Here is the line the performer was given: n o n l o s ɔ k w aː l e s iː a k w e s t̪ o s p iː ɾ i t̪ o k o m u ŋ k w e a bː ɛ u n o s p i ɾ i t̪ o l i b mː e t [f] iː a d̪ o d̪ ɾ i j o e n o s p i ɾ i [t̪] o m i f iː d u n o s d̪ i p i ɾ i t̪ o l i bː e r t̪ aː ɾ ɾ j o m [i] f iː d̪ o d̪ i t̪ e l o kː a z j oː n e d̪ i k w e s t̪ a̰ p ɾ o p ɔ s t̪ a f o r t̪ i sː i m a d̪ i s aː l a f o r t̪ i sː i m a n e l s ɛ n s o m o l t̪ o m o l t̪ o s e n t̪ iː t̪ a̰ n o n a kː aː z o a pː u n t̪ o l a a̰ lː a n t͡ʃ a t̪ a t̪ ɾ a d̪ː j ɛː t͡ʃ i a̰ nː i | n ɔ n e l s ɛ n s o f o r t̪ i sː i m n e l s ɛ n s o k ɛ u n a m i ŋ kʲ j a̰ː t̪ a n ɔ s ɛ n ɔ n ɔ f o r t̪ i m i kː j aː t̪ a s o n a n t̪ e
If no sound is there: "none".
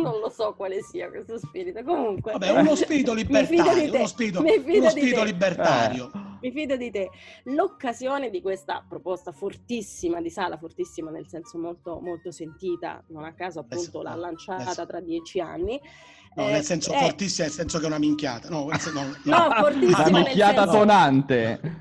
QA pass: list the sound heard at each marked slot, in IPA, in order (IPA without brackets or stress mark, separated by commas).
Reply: f, t̪, i